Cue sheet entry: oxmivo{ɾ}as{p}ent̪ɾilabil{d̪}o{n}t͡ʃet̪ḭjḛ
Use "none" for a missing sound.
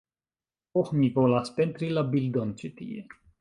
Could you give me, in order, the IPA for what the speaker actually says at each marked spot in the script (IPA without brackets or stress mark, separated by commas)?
l, p, d̪, n